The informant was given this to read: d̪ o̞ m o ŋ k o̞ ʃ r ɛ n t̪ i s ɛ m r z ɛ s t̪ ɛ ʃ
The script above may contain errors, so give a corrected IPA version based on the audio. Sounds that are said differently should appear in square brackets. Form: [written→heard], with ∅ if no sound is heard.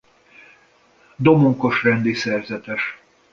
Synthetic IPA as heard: d̪ o̞ m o ŋ k o̞ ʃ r ɛ n [t̪→d̪] i s ɛ [m→∅] r z ɛ [s→∅] t̪ ɛ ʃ